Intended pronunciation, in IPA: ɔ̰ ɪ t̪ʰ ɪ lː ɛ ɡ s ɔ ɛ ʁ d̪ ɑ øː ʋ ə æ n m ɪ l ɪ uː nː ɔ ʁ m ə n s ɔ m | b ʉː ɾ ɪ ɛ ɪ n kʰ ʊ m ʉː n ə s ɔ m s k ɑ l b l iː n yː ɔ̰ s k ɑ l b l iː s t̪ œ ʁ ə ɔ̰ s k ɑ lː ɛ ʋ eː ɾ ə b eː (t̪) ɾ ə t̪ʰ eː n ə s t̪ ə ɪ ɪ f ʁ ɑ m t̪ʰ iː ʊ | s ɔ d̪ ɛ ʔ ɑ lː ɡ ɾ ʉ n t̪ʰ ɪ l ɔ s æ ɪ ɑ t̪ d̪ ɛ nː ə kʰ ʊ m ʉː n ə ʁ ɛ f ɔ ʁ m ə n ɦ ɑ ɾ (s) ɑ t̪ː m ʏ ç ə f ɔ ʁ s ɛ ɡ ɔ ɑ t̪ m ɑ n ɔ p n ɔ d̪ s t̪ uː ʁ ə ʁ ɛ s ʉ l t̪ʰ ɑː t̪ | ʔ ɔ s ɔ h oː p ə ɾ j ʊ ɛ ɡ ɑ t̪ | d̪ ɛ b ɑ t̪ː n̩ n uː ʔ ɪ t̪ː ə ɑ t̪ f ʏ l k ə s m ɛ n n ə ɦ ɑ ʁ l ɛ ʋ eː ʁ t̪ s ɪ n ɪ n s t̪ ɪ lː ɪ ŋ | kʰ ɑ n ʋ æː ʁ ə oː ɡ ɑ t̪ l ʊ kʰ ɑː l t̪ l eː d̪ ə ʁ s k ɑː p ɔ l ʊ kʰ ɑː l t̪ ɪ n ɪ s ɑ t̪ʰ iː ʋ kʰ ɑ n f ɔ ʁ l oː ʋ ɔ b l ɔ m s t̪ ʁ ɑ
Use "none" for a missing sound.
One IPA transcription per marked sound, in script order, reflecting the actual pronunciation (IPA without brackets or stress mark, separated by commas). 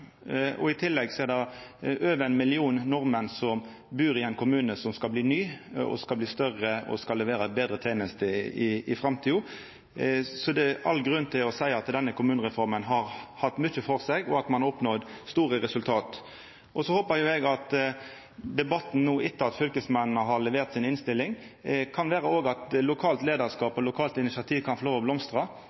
d̪, h